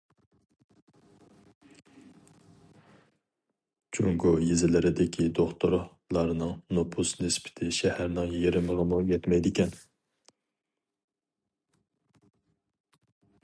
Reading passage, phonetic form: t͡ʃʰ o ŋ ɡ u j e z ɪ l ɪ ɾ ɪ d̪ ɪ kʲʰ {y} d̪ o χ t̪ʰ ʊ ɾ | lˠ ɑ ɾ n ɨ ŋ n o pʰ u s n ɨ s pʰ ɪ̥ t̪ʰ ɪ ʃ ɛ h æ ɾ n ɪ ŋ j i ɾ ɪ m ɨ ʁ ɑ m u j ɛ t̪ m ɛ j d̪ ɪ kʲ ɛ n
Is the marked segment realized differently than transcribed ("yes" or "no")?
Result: yes